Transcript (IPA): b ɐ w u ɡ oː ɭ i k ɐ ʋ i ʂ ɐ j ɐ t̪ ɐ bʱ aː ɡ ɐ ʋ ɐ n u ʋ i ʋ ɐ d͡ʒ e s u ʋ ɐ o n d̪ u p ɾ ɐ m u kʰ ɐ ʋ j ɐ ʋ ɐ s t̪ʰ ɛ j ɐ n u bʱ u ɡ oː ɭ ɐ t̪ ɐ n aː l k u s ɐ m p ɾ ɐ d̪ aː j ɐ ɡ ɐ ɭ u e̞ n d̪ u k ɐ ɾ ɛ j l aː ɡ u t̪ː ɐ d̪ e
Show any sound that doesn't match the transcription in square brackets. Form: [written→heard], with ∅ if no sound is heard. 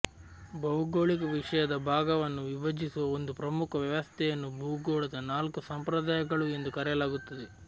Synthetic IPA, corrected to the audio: b ɐ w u ɡ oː ɭ i k ɐ ʋ i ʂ ɐ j ɐ [t̪→d̪] ɐ bʱ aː ɡ ɐ ʋ ɐ [n→nː] u ʋ i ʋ ɐ d͡ʒ [e→i] s u ʋ ɐ o n d̪ u p ɾ ɐ m u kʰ ɐ ʋ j ɐ ʋ ɐ s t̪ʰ ɛ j ɐ [n→nː] u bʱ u ɡ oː ɭ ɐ [t̪→d̪] ɐ n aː l k u s ɐ m p ɾ ɐ d̪ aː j ɐ ɡ ɐ ɭ u e̞ n d̪ u k ɐ ɾ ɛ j l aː ɡ u t̪ː ɐ d̪ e